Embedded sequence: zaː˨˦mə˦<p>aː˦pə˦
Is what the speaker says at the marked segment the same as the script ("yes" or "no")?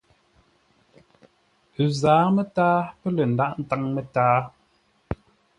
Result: no